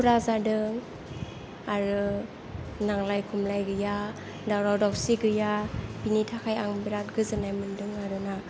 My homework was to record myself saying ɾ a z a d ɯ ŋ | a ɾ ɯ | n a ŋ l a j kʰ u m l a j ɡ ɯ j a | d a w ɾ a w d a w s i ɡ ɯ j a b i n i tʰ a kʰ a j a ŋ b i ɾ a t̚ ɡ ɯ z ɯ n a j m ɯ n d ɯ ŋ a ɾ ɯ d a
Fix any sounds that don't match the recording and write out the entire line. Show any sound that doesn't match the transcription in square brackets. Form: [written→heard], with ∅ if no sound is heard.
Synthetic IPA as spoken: ɾ a z a d ɯ ŋ | a ɾ ɯ | n a ŋ l a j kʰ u m l a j ɡ ɯ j a | d a w ɾ a w d a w s i ɡ ɯ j a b i n i tʰ a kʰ a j a ŋ b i ɾ a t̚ ɡ ɯ z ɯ n a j m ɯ n d ɯ ŋ a ɾ ɯ [d→n] a